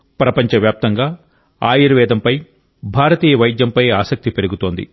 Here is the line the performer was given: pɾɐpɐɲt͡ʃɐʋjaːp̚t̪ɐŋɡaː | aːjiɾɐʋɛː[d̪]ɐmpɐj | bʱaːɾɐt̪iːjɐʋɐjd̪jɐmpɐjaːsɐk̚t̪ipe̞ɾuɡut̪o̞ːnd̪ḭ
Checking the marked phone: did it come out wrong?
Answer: no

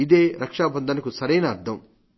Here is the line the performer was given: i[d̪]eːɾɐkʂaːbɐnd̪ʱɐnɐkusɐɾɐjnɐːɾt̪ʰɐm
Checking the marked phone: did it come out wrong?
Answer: no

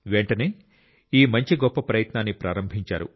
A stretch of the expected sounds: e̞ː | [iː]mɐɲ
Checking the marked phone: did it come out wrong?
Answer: no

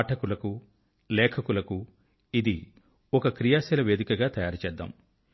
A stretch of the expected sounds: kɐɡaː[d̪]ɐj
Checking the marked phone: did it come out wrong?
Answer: yes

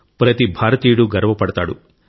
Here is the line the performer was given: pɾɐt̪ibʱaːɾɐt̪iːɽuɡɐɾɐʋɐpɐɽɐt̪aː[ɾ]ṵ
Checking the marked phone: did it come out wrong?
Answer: yes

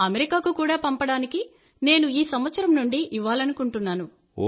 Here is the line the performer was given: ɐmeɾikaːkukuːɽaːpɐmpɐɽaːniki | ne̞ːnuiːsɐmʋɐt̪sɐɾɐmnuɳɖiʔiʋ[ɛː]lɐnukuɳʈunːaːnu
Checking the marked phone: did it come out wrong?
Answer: yes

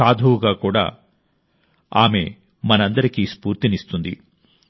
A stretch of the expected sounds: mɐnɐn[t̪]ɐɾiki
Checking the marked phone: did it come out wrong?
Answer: yes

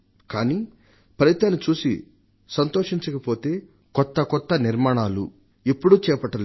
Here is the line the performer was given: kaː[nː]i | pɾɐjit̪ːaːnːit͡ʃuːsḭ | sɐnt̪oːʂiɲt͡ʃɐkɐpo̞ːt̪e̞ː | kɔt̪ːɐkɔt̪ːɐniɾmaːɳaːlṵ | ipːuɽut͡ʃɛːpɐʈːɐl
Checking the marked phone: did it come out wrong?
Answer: yes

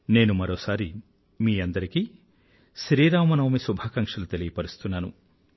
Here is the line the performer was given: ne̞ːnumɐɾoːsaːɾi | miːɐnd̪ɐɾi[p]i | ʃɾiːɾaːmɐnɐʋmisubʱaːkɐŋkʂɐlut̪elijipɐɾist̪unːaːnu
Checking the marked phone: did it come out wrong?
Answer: yes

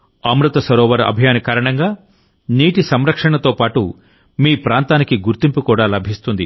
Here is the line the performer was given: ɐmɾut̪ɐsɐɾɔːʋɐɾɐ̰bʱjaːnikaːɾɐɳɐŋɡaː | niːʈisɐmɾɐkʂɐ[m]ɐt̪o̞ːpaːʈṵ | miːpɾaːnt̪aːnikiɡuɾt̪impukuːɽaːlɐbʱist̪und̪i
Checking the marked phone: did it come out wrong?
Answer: yes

